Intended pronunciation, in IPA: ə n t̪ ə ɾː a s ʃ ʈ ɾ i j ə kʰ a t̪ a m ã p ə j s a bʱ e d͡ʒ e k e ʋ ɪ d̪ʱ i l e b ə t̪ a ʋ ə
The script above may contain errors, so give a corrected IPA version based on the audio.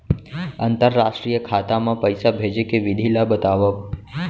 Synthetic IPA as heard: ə n t̪ ə ɾː a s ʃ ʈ ɾ i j ə kʰ a t̪ a m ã p ə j s a bʱ e d͡ʒ e k e ʋ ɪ d̪ʱ i l a b ə t̪ a ʋ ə